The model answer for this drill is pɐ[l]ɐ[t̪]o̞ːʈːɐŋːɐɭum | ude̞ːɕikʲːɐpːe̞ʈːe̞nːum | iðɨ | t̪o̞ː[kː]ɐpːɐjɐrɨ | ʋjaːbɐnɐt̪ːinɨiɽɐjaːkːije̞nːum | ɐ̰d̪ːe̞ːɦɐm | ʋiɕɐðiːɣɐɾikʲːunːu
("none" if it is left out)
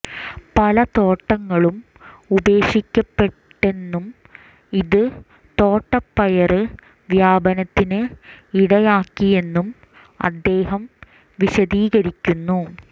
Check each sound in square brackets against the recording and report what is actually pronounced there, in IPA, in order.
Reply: l, t̪, ʈː

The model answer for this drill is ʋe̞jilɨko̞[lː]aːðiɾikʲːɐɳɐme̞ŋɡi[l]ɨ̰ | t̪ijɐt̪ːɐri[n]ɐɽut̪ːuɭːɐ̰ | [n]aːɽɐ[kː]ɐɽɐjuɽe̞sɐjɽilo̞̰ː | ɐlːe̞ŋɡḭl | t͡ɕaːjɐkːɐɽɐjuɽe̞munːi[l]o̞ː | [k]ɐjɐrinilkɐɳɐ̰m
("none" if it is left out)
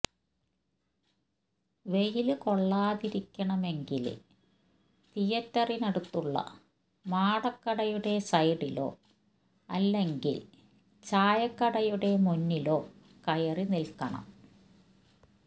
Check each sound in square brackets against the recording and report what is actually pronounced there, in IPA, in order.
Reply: ɭː, l, n, m, kː, l, k

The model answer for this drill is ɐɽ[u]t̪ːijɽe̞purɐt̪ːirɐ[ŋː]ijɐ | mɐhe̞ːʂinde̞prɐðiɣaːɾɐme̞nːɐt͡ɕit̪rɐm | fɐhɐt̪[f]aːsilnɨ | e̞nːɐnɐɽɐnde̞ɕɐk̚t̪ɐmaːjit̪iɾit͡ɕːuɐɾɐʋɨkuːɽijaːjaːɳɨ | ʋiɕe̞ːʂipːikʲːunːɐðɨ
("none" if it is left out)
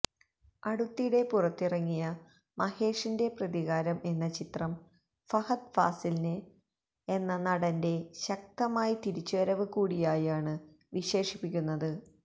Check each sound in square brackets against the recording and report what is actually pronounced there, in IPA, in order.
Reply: u, ŋː, f

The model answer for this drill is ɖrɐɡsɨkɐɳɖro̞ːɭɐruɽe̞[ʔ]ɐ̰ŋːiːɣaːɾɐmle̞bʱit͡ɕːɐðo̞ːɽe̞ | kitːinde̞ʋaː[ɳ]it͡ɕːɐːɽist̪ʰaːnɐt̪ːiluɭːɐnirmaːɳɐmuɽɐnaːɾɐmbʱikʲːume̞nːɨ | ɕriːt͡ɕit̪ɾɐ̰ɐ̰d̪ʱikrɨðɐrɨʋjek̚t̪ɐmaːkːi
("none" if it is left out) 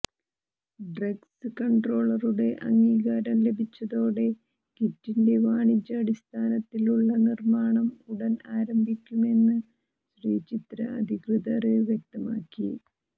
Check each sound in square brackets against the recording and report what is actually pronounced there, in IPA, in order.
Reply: ʔ, ɳ

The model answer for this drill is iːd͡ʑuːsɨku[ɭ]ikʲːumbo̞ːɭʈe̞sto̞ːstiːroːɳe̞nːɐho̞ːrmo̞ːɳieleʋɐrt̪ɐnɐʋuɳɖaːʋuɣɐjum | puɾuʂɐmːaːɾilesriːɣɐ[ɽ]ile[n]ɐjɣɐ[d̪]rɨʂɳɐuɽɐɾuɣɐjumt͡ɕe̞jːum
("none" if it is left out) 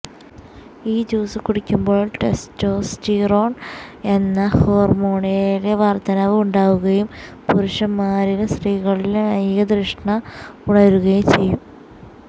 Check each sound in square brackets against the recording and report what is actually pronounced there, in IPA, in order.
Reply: ɽ, ɭ, n, d̪

